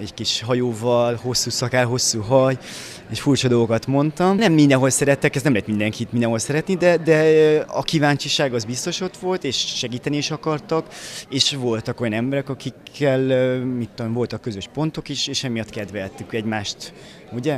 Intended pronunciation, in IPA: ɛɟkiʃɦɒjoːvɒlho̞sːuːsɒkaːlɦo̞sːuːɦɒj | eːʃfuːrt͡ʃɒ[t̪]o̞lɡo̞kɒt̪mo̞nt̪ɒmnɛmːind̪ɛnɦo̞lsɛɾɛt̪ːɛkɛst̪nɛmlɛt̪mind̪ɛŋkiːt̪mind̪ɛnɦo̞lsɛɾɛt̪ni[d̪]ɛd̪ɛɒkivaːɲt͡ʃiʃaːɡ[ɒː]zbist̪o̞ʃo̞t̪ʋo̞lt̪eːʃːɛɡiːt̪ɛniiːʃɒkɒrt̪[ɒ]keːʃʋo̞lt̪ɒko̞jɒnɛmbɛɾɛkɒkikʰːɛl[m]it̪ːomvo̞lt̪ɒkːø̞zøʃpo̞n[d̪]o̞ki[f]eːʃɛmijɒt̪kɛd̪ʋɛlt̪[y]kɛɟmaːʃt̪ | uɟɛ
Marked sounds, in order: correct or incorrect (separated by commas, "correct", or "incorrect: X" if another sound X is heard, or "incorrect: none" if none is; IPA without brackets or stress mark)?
incorrect: d̪, correct, incorrect: ɒ, correct, correct, incorrect: t̪, incorrect: ʃ, correct